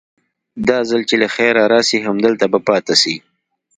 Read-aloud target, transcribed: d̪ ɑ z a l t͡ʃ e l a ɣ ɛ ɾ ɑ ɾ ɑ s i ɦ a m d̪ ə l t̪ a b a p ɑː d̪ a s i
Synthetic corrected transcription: d̪ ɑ z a l t͡ʃ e l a x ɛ ɾ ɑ ɾ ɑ s i ɦ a m d̪ ə l t̪ a b a p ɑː t̪ a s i